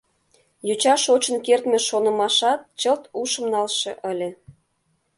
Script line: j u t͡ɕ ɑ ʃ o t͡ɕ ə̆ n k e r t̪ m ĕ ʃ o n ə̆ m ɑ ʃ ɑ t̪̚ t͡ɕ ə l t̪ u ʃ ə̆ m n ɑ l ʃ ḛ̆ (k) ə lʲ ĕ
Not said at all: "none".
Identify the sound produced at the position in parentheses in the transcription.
ʔ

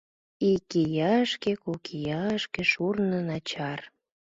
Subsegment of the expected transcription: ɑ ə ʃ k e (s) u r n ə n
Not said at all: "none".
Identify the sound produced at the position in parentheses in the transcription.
ʃ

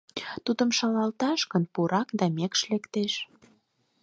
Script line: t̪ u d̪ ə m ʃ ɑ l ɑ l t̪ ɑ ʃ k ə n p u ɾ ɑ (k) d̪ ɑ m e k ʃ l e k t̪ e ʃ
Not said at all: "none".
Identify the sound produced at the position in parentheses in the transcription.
k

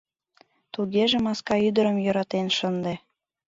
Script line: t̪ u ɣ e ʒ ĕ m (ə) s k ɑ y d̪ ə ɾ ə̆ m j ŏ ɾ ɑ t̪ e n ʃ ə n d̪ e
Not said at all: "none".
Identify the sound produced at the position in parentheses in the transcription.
ɑ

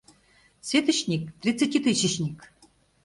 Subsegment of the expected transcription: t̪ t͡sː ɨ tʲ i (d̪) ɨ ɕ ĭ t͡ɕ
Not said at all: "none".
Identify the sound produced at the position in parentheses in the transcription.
t̪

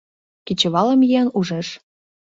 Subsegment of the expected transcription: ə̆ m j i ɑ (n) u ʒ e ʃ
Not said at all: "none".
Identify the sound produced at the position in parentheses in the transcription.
n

